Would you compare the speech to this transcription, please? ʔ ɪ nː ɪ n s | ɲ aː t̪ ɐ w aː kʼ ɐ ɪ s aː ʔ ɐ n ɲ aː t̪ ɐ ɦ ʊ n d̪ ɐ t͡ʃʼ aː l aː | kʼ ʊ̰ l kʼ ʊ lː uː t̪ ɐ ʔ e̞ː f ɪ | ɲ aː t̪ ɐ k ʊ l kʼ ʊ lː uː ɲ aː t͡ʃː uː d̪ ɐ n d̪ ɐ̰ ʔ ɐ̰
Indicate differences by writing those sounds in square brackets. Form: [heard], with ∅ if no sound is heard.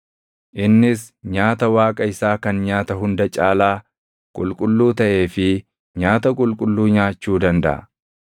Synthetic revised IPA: ʔ ɪ nː ɪ [∅] s | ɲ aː t̪ ɐ w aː kʼ ɐ ɪ s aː [k] ɐ n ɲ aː t̪ ɐ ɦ ʊ n d̪ ɐ t͡ʃʼ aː l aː | kʼ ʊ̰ l kʼ ʊ lː uː t̪ ɐ ʔ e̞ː f ɪ | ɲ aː t̪ ɐ [kʼ] ʊ l kʼ ʊ lː uː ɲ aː t͡ʃː uː d̪ ɐ n d̪ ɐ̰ ʔ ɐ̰